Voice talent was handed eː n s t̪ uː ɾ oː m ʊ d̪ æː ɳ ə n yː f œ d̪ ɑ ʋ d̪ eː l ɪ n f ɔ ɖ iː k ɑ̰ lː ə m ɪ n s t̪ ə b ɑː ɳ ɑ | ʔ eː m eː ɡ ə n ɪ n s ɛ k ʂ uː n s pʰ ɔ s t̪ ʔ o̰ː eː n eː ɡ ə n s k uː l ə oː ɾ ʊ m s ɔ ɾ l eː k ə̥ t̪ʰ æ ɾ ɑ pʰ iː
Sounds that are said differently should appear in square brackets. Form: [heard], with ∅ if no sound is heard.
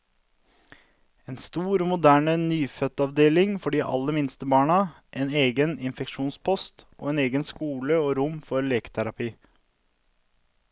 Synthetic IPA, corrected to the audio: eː n s t̪ uː ɾ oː m ʊ d̪ æː ɳ ə n yː f œ [t̪] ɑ ʋ d̪ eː l ɪ [ŋ] f ɔ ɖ iː [ʔ] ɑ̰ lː ə m ɪ n s t̪ ə b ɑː ɳ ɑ | ʔ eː [n] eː ɡ ə n ɪ n [f] ɛ k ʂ uː n s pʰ ɔ s t̪ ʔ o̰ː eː n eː ɡ ə n s k uː l ə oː ɾ ʊ m [f] ɔ ɾ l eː k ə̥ t̪ʰ æ ɾ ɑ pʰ iː

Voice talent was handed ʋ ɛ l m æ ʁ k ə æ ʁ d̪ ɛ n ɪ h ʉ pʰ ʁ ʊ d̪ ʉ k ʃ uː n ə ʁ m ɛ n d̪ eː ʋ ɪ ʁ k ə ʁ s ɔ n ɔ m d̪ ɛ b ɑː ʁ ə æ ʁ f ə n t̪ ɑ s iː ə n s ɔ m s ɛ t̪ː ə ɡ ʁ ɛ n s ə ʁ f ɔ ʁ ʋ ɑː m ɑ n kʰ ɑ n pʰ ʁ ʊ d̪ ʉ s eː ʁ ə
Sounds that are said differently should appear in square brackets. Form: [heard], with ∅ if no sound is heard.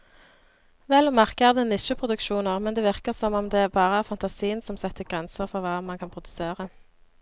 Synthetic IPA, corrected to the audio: ʋ ɛ l m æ ʁ k ə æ ʁ d̪ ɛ n ɪ [ʃ] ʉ pʰ ʁ ʊ d̪ ʉ k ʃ uː n ə ʁ m ɛ n d̪ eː ʋ ɪ ʁ k ə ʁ s ɔ [m] ɔ m d̪ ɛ b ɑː ʁ ə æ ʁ f [ɑ] n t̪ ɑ s iː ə n s ɔ m s ɛ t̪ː ə ɡ ʁ ɛ n s ə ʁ f ɔ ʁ ʋ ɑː m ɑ n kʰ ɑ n pʰ ʁ ʊ d̪ ʉ s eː ʁ ə

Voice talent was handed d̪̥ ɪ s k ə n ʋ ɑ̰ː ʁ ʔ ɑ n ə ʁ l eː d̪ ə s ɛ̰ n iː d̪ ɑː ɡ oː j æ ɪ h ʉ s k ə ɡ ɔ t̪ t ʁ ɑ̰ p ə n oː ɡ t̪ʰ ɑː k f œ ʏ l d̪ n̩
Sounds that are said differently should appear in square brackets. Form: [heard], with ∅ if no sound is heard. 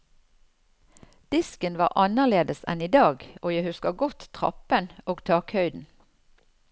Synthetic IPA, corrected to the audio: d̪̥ ɪ s k ə n ʋ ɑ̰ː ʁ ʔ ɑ n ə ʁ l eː d̪ ə s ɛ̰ n iː d̪ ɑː ɡ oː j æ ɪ h ʉ s k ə ɡ ɔ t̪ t ʁ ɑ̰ p ə n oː ɡ t̪ʰ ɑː k [h] œ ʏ [∅] d̪ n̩

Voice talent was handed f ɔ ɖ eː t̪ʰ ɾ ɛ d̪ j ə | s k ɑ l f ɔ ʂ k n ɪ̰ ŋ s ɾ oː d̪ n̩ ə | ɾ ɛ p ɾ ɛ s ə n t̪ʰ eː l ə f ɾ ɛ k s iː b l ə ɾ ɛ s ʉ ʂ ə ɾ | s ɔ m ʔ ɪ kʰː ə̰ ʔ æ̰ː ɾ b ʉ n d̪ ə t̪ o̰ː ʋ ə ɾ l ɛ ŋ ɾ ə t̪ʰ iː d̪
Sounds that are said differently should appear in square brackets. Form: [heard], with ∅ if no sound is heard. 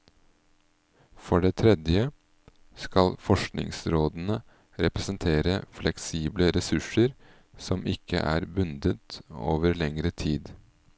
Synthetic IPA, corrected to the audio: f ɔ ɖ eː t̪ʰ ɾ ɛ d̪ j ə | s k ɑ l f ɔ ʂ k n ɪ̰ ŋ s ɾ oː d̪ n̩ ə | ɾ ɛ p ɾ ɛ s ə n t̪ʰ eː [ɾ] ə f [l] ɛ k s iː b l ə ɾ ɛ s ʉ ʂ ə ɾ | s ɔ m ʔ ɪ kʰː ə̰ ʔ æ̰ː ɾ b ʉ n d̪ ə t̪ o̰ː ʋ ə ɾ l ɛ ŋ ɾ ə t̪ʰ iː d̪

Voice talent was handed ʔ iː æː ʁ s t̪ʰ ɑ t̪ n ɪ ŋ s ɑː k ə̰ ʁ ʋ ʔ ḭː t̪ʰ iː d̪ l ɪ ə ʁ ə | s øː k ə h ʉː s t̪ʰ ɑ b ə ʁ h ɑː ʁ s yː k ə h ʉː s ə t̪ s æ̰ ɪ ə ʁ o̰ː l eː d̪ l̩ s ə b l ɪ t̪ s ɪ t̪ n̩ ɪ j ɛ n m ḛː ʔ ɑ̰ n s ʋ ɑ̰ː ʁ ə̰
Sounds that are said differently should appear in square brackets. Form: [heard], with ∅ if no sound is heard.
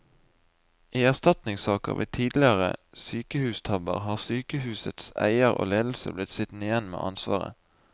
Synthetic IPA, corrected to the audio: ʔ iː [æ] ʁ s [t̪] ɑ t̪ n ɪ ŋ s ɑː k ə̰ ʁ ʋ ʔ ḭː t̪ʰ iː d̪ l ɪ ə ʁ ə | s [yː] k ə h ʉː s t̪ʰ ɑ b ə ʁ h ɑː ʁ s yː k ə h ʉː s ə t̪ s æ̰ ɪ ə ʁ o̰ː l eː d̪ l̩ s ə b l ɪ t̪ s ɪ t̪ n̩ ɪ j ɛ n m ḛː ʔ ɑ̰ n s ʋ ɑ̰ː ʁ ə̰

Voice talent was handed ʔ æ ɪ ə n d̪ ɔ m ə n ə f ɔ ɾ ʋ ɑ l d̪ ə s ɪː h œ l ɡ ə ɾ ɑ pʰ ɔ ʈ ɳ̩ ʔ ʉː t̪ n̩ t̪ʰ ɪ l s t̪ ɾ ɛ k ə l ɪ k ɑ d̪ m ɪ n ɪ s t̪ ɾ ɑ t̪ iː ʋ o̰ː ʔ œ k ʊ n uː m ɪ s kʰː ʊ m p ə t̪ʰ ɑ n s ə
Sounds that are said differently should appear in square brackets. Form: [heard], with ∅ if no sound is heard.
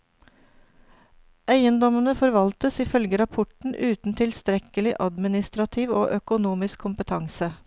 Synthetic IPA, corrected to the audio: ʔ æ ɪ ə n d̪ ɔ m ə n ə f ɔ ɾ ʋ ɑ l [t̪] ə s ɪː [f] œ l ɡ ə ɾ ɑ pʰ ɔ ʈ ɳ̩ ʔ ʉː t̪ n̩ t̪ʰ ɪ l s t̪ ɾ ɛ k ə l ɪ [ʔ] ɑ d̪ m ɪ n ɪ s t̪ ɾ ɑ [t̪ʰ] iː ʋ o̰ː ʔ œ k ʊ n uː m ɪ s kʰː ʊ m p ə t̪ʰ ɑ [ŋ] s ə

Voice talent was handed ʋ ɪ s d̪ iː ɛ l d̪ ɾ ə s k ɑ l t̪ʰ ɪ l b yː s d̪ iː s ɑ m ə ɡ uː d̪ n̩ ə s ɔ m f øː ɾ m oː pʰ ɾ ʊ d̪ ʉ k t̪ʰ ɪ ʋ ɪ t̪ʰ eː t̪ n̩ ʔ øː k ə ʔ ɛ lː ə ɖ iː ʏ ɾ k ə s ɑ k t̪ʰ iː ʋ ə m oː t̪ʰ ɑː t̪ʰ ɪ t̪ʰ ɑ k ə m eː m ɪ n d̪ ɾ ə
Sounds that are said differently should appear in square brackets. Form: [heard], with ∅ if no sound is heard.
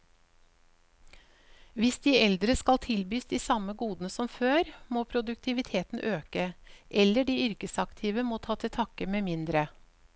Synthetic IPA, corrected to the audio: ʋ ɪ s d̪ iː ɛ l d̪ ɾ ə s k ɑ l t̪ʰ ɪ l b yː s d̪ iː s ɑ m ə ɡ uː d̪ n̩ ə s ɔ m f øː ɾ m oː pʰ ɾ ʊ d̪ ʉ k t̪ʰ ɪ ʋ ɪ t̪ʰ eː t̪ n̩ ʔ øː k ə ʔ ɛ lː ə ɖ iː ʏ ɾ k ə s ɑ k t̪ʰ iː ʋ ə m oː t̪ʰ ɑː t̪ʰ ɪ t̪ʰ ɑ k ə m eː m ɪ n d̪ ɾ ə

